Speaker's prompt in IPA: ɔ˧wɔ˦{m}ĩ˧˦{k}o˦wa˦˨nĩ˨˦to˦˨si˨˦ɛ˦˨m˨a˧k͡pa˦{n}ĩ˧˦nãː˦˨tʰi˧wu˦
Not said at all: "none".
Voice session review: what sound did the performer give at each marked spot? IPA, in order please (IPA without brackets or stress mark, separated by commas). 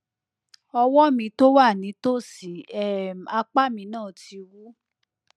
m, t, m